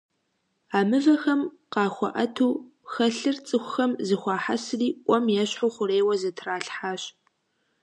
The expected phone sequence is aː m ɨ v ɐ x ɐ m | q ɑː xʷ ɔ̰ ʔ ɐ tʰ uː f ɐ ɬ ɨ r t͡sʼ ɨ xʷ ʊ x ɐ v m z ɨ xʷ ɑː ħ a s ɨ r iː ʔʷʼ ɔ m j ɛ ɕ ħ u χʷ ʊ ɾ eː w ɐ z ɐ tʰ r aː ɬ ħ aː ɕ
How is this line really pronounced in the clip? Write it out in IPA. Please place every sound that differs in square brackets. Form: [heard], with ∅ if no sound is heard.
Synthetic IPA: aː m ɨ v ɐ x ɐ m | q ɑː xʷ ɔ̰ ʔ ɐ tʰ uː [x] ɐ ɬ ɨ r t͡sʼ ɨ xʷ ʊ x ɐ [∅] m z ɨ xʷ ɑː ħ a s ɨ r iː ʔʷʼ ɔ m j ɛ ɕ ħ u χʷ ʊ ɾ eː w ɐ z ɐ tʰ r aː ɬ ħ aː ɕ